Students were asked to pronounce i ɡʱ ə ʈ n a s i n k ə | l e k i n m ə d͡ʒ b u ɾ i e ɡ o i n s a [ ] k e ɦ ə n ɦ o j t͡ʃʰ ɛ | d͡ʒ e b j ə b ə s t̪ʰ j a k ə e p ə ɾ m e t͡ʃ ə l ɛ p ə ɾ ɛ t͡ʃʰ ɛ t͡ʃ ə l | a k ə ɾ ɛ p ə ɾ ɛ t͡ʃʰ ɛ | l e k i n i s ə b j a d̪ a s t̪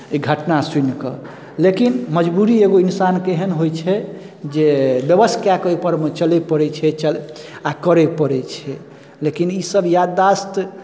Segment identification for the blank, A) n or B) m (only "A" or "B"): A